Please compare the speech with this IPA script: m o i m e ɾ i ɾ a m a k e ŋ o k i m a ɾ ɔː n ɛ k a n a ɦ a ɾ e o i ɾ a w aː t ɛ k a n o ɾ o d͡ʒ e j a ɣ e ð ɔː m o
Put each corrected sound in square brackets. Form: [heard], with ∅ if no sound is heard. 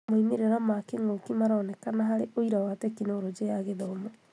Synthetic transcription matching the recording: m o i m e ɾ [e] ɾ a m a k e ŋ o k i m a ɾ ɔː n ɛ k a n a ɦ a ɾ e o i ɾ a w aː t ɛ k [i] n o ɾ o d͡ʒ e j a ɣ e ð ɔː m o